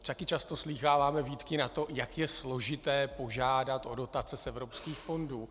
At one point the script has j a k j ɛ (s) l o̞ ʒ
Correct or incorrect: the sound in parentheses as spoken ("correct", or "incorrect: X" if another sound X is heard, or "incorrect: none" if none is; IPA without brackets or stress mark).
correct